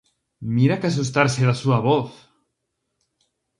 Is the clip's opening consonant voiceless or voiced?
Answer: voiced